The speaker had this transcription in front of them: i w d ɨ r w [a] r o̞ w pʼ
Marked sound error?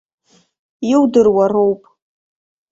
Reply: no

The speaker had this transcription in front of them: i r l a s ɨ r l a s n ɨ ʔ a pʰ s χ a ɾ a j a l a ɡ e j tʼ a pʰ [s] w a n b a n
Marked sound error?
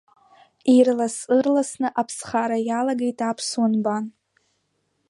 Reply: no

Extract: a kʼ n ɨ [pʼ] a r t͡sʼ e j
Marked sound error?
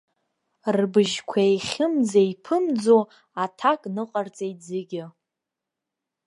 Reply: yes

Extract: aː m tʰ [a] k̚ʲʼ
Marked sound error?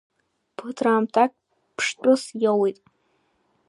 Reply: no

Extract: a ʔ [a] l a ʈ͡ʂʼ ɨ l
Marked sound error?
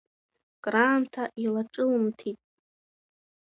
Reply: yes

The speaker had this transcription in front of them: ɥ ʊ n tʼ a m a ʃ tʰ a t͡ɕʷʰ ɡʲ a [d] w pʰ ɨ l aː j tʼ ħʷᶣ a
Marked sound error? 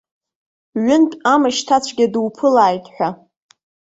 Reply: no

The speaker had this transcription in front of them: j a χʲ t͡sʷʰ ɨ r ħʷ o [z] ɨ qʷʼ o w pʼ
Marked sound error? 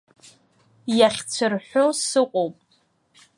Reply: yes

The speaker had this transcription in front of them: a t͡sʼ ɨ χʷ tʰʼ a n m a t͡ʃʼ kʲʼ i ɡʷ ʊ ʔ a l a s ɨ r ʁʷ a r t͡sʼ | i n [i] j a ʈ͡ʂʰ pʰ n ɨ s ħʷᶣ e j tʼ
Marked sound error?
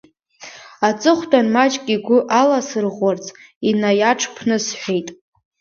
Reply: yes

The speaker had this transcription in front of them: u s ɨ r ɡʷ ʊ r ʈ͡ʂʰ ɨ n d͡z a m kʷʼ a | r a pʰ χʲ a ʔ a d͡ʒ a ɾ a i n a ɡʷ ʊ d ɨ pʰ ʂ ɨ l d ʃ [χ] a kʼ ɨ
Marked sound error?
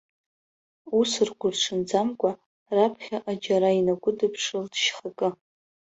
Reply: no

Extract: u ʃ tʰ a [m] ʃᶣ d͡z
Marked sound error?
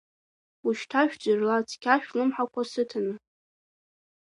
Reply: yes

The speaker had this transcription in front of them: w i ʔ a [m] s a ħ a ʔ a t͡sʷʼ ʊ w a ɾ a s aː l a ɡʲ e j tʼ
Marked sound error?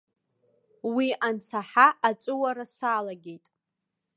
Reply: yes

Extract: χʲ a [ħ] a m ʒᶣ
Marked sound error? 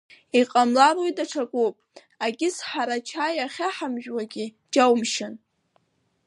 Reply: no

